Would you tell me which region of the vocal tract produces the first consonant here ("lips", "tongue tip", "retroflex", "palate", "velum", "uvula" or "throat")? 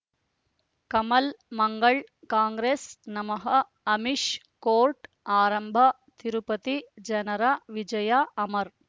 velum